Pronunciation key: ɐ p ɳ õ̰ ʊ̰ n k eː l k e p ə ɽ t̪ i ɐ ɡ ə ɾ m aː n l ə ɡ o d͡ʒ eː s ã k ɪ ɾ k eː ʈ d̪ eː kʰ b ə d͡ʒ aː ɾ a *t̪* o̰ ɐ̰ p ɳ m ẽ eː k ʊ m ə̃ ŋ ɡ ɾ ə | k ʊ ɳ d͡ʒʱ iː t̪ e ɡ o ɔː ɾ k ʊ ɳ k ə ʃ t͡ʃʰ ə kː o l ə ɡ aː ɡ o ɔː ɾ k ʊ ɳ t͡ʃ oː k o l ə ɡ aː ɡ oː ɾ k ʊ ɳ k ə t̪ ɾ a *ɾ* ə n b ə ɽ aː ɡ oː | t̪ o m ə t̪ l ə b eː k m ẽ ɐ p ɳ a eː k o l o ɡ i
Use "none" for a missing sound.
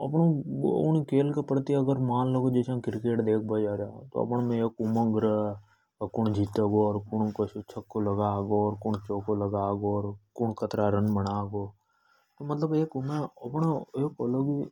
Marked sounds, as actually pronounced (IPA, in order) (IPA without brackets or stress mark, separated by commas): t̪, ɾ